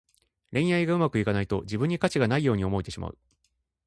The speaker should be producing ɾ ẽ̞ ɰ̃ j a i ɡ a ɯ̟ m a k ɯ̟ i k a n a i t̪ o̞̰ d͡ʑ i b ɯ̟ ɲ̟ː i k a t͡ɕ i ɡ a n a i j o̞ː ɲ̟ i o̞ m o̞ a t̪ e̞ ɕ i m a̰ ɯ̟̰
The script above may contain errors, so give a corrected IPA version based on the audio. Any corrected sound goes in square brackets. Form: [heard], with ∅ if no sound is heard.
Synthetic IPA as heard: ɾ ẽ̞ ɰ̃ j a i ɡ a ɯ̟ m a k ɯ̟ i k a n a i t̪ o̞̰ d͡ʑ i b ɯ̟ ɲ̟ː i k a t͡ɕ i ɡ a n a i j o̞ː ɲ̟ i o̞ m o̞ [i] t̪ e̞ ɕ i m a̰ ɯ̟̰